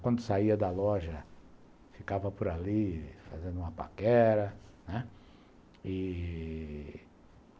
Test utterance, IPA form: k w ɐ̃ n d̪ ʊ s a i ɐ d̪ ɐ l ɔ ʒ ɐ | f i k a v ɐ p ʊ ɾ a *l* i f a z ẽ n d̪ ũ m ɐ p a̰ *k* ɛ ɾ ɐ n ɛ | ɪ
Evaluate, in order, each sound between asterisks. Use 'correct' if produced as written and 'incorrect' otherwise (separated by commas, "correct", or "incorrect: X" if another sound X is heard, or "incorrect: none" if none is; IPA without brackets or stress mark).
correct, correct